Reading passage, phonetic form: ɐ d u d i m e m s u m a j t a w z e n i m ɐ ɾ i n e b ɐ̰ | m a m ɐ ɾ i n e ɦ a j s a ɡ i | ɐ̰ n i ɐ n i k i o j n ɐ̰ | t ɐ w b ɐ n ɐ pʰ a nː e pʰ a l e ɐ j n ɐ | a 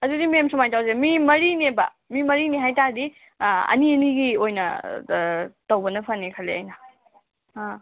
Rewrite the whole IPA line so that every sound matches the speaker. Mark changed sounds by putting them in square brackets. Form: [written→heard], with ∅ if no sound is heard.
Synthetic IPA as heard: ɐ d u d i m e m s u m a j t a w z e [n→m] i m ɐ ɾ i n e b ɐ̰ | m [a→i] m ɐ ɾ i n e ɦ a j [s→t] a [ɡ→d] i | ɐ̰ n i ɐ n i [k→ɡ] i o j n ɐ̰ | t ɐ w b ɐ n ɐ pʰ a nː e [pʰ→kʰ] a l e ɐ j n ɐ | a